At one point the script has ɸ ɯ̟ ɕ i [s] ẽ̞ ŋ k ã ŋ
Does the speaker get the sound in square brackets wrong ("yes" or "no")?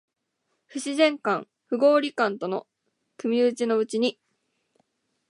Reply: yes